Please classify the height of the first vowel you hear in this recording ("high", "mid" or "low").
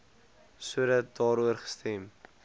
high